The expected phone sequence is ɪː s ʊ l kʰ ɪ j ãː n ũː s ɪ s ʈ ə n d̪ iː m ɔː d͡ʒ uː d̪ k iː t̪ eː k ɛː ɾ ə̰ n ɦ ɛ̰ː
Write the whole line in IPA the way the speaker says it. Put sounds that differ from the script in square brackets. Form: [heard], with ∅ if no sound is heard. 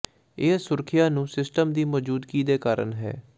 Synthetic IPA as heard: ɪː s ʊ [ɾ] kʰ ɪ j [aː] n ũː s ɪ s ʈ ə [m] d̪ iː m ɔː d͡ʒ uː d̪ k iː [d̪] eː k [aː] ɾ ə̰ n ɦ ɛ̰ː